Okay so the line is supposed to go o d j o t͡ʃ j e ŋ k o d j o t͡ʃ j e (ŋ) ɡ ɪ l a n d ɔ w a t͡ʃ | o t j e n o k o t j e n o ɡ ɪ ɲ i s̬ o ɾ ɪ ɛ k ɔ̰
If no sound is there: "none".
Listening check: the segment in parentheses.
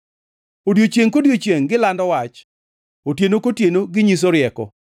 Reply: ŋ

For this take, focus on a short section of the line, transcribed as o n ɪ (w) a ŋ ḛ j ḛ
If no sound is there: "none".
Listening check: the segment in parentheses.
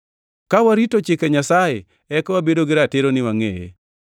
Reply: w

